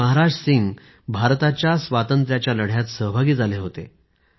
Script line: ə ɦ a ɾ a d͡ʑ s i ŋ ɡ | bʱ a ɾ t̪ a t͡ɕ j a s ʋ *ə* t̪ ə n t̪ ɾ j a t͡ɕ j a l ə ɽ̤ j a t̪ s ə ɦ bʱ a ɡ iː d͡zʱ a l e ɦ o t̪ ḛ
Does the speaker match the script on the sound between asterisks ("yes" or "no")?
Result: no